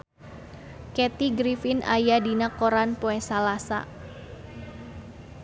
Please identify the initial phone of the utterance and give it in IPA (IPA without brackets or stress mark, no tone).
k